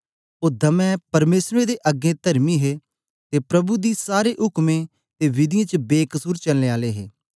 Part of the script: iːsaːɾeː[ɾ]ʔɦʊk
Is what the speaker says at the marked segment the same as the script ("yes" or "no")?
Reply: no